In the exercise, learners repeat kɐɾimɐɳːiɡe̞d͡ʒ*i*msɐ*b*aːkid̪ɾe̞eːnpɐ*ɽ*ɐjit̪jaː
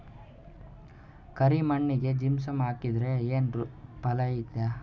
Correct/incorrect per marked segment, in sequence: correct, incorrect, incorrect

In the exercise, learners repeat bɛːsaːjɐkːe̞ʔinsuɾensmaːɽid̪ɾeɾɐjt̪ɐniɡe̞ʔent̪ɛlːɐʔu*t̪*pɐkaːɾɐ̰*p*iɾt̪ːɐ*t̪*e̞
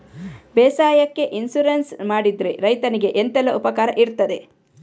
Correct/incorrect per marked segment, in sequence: incorrect, incorrect, incorrect

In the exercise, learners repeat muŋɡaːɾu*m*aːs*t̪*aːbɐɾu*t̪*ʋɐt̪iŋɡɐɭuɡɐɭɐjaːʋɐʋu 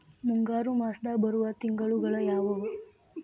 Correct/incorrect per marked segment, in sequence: correct, incorrect, incorrect

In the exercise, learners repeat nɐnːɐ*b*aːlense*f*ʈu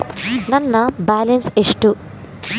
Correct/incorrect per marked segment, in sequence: correct, incorrect

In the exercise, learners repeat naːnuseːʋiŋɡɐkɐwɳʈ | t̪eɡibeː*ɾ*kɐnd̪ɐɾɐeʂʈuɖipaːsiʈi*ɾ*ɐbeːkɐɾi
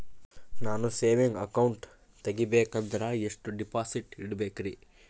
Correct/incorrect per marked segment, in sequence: incorrect, incorrect

